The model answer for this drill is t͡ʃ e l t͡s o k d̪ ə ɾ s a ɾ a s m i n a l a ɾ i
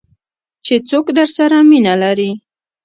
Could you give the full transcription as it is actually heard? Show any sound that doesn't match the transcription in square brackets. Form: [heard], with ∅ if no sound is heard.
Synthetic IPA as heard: t͡ʃ e [∅] t͡s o k d̪ ə ɾ s a ɾ a [∅] m i n a l a ɾ i